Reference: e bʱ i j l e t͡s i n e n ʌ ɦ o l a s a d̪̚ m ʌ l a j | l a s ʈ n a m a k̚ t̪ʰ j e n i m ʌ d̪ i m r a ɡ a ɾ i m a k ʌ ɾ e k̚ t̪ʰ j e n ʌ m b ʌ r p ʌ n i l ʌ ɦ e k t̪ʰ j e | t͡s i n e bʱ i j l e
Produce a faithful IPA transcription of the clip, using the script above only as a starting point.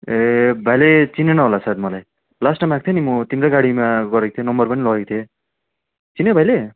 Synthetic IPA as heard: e bʱ a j l e t͡s i n e n ʌ ɦ o l a s a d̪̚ m ʌ l a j | l a s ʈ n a m a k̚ t̪ʰ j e n i m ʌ t̪ i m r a ɡ a ɽ i m a ɡ ʌ ɾ e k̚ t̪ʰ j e n ʌ m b ʌ r p ʌ n i l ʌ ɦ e k t̪ʰ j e | t͡s i n e bʱ a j l e